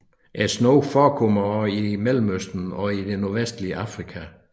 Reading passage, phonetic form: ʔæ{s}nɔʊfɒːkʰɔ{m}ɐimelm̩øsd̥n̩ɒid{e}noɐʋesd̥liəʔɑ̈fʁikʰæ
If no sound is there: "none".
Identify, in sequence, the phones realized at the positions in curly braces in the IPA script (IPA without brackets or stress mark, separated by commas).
s, m, e